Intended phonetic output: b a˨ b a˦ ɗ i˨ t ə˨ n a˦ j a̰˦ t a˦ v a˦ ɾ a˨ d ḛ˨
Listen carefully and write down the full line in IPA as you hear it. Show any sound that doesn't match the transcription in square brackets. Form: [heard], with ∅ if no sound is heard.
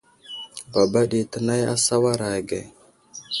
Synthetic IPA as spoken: b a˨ b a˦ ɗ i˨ t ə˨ n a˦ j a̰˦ [s] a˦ [w] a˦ ɾ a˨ [ɡ] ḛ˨